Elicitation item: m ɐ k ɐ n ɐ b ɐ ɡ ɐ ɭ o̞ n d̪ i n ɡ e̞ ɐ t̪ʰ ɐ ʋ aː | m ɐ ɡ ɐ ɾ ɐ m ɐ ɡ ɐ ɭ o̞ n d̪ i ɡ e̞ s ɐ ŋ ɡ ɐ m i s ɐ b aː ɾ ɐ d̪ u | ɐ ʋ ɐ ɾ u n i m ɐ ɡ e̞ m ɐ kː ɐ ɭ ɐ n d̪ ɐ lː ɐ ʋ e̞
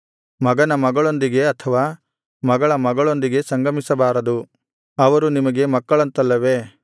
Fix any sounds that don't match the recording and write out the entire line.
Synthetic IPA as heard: m ɐ ɡ ɐ n ɐ m ɐ ɡ ɐ ɭ o̞ n d̪ i ɡ e̞ ɐ t̪ʰ ɐ ʋ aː | m ɐ ɡ ɐ ɭ ɐ m ɐ ɡ ɐ ɭ o̞ n d̪ i ɡ e̞ s ɐ ŋ ɡ ɐ m i s ɐ b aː ɾ ɐ d̪ u | ɐ ʋ ɐ ɾ u n i m ɐ ɡ e̞ m ɐ kː ɐ ɭ ɐ n t̪ ɐ lː ɐ ʋ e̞